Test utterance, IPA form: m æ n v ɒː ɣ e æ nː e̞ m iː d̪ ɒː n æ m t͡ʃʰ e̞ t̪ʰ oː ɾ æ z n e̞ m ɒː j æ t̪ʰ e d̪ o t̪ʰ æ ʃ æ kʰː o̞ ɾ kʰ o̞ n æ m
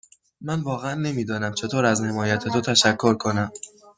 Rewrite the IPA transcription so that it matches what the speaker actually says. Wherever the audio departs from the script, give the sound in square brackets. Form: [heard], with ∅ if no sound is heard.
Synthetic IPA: m æ n v ɒː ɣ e æ nː e̞ m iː d̪ ɒː n æ m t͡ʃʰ e̞ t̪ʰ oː ɾ æ z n e̞ m ɒː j æ t̪ʰ e [t̪] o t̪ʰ æ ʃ æ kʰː o̞ ɾ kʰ o̞ n æ m